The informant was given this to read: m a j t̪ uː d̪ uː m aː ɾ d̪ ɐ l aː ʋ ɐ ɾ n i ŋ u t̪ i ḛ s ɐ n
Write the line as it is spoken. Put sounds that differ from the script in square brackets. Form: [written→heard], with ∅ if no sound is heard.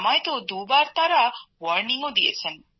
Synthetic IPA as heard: m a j t̪ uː d̪ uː [m→b] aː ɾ [d̪→t̪] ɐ [l→ɾ] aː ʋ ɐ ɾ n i ŋ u [t̪→d̪] i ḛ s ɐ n